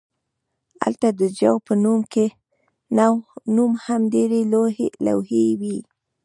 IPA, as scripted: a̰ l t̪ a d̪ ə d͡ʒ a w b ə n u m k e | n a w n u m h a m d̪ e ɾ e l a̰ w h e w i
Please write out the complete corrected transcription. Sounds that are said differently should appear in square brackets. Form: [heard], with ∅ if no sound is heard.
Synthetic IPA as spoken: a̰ l t̪ a d̪ ə d͡ʒ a w [p] ə n u m k e | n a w n u m h a m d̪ e ɾ e l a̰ w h e w i